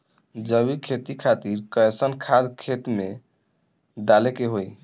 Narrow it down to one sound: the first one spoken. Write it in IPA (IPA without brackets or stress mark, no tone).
d͡ʒ